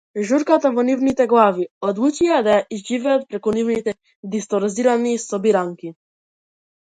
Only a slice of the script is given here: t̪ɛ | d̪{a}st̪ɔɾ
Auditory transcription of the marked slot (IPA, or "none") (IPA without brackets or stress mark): i